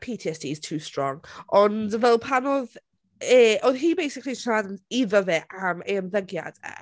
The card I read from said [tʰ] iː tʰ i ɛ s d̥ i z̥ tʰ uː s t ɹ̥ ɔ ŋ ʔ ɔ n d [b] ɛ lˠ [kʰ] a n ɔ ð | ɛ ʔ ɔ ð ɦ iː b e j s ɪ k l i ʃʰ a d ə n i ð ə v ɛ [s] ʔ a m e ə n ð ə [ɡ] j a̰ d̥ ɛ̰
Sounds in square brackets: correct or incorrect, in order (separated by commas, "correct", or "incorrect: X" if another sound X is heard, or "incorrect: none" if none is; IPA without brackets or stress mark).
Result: incorrect: pʰ, incorrect: v, incorrect: pʰ, incorrect: none, correct